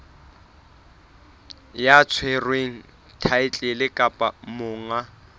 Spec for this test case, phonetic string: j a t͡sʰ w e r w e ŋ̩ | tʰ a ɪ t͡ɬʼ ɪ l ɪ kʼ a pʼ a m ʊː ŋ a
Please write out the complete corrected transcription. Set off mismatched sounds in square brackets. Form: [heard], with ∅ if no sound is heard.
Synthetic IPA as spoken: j a t͡sʰ w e r w e ŋ̩ | tʰ a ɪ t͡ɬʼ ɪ l ɪ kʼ a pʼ a m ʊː ŋ a

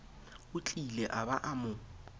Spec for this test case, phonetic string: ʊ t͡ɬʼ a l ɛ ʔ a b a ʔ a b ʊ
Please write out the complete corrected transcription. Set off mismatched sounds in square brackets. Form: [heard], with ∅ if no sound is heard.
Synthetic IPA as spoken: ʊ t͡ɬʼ [i] l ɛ ʔ a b a ʔ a [m] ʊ

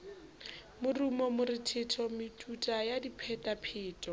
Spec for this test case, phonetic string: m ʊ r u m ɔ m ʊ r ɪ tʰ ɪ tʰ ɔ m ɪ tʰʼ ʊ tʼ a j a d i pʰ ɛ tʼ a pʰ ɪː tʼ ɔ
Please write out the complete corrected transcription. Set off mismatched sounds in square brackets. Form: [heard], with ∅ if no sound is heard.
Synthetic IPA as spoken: m ʊ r u m ɔ m ʊ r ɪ tʰ ɪ tʰ ɔ m ɪ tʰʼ [u] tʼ a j a d i pʰ ɛ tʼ a pʰ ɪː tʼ ɔ

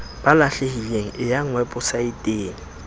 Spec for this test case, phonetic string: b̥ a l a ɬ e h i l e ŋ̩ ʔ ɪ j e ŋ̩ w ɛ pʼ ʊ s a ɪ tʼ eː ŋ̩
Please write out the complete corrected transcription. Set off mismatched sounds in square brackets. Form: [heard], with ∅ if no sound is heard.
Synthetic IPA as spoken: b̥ a l a ɬ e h i l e ŋ̩ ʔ ɪ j [a] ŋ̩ w ɛ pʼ ʊ s a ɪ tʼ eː ŋ̩

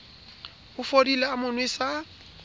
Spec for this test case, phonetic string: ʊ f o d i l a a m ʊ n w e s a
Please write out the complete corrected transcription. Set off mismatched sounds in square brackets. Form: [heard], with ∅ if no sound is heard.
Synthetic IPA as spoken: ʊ f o d i l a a m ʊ n w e s a

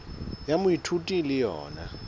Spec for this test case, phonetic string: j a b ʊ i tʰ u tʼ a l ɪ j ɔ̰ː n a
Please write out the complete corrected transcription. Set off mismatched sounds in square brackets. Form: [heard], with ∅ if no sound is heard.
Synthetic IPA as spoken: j a [m] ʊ i tʰ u tʼ [i] l ɪ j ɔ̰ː n a

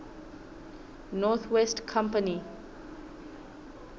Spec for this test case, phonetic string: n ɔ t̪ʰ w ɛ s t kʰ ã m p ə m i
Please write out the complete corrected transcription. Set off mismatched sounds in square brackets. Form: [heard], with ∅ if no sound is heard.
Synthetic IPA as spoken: n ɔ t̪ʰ w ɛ s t kʰ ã m p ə [n] i

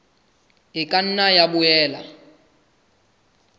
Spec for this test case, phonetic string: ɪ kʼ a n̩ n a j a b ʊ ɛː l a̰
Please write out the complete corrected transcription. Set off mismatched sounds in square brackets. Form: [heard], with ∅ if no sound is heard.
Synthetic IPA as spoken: ɪ kʼ a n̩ n a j a b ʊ ɛː l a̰

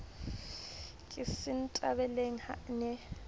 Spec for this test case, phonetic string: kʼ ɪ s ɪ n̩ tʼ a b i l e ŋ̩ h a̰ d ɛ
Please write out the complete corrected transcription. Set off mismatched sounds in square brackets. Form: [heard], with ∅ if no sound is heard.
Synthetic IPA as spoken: kʼ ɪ s ɪ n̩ tʼ a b [ɛ] l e ŋ̩ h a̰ [n] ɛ

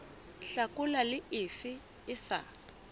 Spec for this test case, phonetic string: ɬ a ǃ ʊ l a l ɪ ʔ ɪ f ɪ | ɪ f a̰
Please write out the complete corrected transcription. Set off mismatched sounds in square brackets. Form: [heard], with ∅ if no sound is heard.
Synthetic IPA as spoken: ɬ a [k] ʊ l a l ɪ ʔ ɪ f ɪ | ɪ [s] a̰

